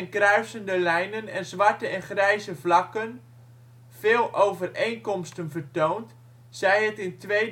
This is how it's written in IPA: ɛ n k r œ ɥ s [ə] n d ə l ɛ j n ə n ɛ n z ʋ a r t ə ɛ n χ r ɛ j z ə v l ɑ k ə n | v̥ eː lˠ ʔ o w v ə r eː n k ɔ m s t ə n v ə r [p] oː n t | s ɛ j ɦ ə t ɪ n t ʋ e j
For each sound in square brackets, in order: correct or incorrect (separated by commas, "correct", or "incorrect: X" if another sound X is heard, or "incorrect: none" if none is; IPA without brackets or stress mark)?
correct, incorrect: t